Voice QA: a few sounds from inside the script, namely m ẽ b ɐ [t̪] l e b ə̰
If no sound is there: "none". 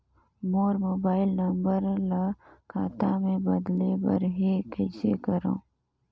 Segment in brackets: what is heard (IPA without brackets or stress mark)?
d̪